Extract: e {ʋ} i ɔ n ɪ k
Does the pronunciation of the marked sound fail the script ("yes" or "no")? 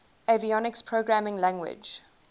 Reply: yes